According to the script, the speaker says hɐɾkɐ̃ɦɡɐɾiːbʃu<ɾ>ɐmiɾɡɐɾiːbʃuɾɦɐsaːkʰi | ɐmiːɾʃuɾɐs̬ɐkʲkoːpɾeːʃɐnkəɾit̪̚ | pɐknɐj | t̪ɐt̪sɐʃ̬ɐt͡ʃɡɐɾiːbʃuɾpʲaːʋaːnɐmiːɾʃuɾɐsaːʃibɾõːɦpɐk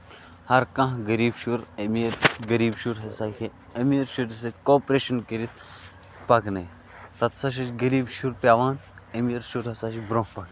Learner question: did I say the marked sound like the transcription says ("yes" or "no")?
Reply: yes